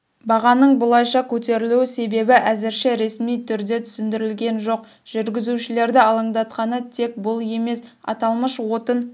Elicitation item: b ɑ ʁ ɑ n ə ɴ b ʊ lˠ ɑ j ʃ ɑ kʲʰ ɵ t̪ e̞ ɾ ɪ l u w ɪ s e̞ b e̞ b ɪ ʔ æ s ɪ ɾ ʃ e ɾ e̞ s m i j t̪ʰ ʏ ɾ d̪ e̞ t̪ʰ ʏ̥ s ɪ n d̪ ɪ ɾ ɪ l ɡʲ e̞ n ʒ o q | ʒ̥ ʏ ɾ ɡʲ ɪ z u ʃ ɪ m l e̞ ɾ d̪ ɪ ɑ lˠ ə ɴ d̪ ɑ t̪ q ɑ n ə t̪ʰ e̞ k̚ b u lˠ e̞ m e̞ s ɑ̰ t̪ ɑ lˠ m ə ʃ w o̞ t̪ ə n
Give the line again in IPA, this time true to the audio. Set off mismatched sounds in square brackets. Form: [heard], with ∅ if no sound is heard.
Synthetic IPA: b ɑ ʁ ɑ n ə ɴ b ʊ lˠ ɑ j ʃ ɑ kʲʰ ɵ t̪ e̞ ɾ ɪ l u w ɪ s e̞ b e̞ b ɪ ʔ æ [z] ɪ ɾ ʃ e ɾ e̞ s m i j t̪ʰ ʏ ɾ d̪ e̞ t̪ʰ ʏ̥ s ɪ n d̪ ɪ ɾ ɪ l ɡʲ e̞ n ʒ o q | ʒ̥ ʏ ɾ ɡʲ ɪ z u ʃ ɪ [∅] l e̞ ɾ d̪ ɪ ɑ lˠ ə ɴ d̪ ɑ t̪ q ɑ n ə t̪ʰ e̞ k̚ b [ʊ] lˠ e̞ m e̞ s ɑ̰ t̪ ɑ lˠ m ə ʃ w o̞ t̪ ə n